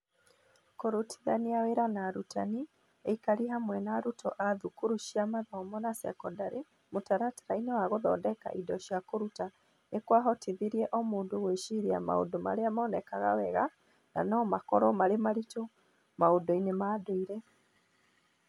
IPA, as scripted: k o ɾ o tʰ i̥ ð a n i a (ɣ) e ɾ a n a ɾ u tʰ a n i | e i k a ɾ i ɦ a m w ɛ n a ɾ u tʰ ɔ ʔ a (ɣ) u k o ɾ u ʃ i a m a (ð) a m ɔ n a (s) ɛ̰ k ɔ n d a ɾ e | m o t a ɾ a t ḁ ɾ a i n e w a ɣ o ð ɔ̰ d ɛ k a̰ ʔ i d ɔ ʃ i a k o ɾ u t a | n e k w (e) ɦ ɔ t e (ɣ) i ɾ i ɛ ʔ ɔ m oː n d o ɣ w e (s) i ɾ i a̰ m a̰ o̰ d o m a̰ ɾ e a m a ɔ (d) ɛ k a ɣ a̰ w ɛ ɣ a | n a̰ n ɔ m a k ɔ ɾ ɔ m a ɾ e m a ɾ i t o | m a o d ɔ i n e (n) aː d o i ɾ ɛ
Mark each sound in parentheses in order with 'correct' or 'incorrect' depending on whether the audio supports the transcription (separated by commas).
incorrect, incorrect, correct, correct, incorrect, incorrect, incorrect, incorrect, incorrect